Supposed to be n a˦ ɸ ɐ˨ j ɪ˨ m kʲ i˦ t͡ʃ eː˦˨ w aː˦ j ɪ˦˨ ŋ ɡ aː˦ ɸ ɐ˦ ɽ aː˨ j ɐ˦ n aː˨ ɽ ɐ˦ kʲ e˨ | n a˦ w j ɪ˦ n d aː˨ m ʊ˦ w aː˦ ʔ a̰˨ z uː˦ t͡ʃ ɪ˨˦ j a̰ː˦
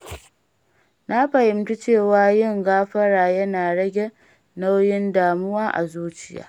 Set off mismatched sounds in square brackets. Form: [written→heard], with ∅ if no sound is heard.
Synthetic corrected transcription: n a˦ ɸ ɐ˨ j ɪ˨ m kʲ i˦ t͡ʃ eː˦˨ w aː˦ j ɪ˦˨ ŋ ɡ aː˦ ɸ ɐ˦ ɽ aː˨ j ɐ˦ n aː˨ ɽ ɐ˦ [kʲ→ɡʲ] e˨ | n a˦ w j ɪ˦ n d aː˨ m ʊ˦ w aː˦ ʔ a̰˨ z uː˦ t͡ʃ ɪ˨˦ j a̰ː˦